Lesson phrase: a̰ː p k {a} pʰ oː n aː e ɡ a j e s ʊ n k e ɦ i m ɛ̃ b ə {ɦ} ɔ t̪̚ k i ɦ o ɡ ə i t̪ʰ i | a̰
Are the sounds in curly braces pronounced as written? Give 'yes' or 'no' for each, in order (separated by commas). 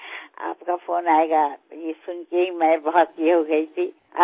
yes, yes